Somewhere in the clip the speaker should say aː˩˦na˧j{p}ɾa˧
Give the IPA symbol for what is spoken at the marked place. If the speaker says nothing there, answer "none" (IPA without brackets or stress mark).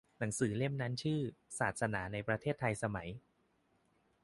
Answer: p